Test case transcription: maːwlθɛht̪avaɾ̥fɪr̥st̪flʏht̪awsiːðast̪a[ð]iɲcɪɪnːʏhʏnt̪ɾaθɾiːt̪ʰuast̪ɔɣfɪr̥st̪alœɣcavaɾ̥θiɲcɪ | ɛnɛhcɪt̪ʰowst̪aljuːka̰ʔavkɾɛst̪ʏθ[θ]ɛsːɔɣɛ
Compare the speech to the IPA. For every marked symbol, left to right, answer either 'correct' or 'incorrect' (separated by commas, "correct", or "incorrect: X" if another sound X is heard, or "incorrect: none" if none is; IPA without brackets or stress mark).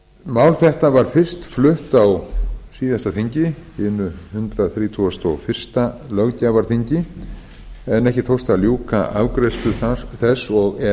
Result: incorrect: θ, correct